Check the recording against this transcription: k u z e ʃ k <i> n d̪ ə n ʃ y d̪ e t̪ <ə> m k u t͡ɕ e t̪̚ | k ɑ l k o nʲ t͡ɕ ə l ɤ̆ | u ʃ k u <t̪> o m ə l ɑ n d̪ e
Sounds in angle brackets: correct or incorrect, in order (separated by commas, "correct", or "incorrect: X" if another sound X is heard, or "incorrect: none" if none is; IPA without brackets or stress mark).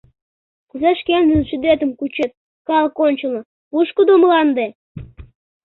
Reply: incorrect: e, correct, incorrect: d̪